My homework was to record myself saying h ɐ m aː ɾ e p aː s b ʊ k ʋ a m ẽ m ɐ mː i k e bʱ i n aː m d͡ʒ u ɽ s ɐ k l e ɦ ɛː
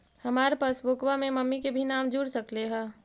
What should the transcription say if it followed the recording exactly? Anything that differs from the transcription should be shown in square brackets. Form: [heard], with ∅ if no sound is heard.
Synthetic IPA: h ɐ m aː ɾ e p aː s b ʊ k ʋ a m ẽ m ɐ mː i k e bʱ i n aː m d͡ʒ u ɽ s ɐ k l e ɦ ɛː